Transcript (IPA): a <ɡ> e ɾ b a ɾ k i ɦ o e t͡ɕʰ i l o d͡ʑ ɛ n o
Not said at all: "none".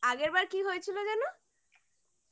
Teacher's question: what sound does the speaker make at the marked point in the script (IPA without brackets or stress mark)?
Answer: ɡ